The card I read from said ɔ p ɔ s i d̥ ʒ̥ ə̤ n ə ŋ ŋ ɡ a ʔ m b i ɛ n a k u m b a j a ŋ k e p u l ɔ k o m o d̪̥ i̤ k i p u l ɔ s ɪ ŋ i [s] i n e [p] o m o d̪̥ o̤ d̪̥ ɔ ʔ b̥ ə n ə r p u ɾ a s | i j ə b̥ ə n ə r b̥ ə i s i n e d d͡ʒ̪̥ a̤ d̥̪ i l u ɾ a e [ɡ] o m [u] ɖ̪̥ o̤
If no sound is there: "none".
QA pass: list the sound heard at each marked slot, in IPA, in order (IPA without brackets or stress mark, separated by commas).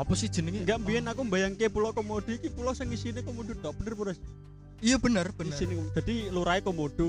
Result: s, k, k, o